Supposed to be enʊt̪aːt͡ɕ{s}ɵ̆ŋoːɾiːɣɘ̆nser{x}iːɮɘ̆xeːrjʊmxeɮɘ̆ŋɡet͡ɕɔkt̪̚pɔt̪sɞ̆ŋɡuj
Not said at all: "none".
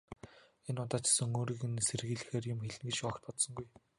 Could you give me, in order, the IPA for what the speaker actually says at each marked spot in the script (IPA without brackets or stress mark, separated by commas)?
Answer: s, ɣ